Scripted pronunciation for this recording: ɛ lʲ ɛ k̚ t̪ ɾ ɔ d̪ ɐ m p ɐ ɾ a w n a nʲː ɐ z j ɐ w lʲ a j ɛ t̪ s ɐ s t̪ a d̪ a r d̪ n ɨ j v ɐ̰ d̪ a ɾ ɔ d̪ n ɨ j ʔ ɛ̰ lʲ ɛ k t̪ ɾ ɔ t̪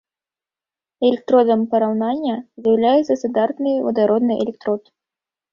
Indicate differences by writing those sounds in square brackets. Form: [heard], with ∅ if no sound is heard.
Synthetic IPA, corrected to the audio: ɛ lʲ ɛ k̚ t̪ ɾ ɔ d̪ ɐ m p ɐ ɾ a w n a nʲː ɐ z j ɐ w lʲ a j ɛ t̪ s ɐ s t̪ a d̪ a r [t̪] n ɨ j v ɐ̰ d̪ a ɾ ɔ d̪ n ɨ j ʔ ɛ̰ lʲ ɛ k t̪ ɾ ɔ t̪